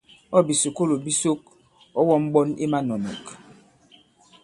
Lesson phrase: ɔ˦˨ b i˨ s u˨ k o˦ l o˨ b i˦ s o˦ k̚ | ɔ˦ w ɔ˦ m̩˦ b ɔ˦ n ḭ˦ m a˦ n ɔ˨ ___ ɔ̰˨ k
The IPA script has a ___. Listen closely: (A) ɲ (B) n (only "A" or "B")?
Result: B